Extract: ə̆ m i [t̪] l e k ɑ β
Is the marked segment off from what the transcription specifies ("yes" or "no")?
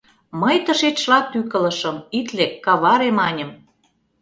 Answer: no